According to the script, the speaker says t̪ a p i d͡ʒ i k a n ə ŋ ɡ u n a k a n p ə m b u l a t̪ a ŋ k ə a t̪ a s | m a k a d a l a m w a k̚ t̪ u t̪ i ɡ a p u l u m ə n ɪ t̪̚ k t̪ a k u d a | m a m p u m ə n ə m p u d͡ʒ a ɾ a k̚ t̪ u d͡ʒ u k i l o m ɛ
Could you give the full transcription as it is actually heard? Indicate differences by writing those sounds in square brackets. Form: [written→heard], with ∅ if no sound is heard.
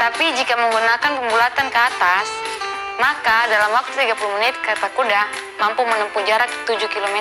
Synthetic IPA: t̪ a p i d͡ʒ i k a [n→m] ə ŋ ɡ u n a k a n p ə m b u l a t̪ a [ŋ→n] k ə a t̪ a s | m a k a d a l a m w a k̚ t̪ u t̪ i ɡ a p u l u m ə n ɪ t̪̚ k t̪ a k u d a | m a m p u m ə n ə m p u d͡ʒ a ɾ a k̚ t̪ u d͡ʒ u k i l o m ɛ

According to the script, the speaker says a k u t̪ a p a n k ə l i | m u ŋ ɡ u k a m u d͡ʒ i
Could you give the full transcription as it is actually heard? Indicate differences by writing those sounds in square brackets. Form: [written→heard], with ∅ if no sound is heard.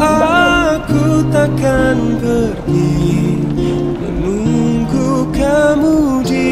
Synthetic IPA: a k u t̪ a [p→k] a n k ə [l→ɾ] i | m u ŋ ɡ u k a m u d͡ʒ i

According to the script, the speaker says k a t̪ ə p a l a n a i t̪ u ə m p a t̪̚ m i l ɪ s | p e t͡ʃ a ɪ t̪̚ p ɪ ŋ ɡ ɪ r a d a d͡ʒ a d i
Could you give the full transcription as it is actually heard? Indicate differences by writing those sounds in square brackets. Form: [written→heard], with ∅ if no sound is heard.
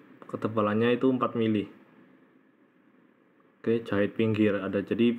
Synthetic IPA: k [a→ə] t̪ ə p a l a [n→ɲ] a i t̪ u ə m p a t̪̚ m i l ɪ [s→h] | [p→k] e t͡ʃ a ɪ t̪̚ p [ɪ→i] ŋ ɡ ɪ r a d a d͡ʒ a d i

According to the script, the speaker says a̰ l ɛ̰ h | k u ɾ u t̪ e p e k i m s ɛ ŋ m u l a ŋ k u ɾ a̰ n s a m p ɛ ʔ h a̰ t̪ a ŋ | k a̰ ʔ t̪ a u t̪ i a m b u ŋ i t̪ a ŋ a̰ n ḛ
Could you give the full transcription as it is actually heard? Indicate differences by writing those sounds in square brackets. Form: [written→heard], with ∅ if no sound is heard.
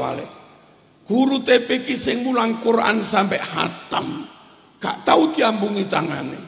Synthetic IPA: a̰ l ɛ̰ [h→∅] | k u ɾ u t̪ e p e k i [m→∅] s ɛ ŋ m u l a ŋ k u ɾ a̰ n s a m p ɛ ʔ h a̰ t̪ a [ŋ→m] | k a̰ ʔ t̪ a u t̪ i a m b u ŋ i t̪ a ŋ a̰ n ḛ

